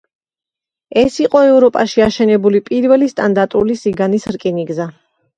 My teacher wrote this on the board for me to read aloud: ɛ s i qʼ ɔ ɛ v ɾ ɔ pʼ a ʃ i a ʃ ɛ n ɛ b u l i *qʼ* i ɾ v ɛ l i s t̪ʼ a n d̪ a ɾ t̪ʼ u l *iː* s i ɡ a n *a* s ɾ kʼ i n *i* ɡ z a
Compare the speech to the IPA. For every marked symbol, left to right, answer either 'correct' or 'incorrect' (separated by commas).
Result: incorrect, incorrect, incorrect, correct